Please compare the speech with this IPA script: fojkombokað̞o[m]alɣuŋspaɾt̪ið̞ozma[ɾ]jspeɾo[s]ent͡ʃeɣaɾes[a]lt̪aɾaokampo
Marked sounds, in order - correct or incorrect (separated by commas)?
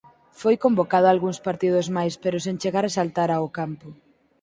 incorrect, incorrect, correct, correct